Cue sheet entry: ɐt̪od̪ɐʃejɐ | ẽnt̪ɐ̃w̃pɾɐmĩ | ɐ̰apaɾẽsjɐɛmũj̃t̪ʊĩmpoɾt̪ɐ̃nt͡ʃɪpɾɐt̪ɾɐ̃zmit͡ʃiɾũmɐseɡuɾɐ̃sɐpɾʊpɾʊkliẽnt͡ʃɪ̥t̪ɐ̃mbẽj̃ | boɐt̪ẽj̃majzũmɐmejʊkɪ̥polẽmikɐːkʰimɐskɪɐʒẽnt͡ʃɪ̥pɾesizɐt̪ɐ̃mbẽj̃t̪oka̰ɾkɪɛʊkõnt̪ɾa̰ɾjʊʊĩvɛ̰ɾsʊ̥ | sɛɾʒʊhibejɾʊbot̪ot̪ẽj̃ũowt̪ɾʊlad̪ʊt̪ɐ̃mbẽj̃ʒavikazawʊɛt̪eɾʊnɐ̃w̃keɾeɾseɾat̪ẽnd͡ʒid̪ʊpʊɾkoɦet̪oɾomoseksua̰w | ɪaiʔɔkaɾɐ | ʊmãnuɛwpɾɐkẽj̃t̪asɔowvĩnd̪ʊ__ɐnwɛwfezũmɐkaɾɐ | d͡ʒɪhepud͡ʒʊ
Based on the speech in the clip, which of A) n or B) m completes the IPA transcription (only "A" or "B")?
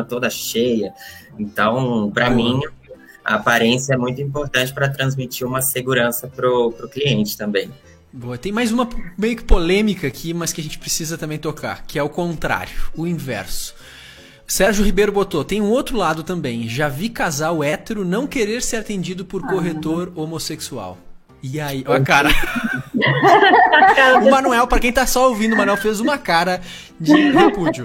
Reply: B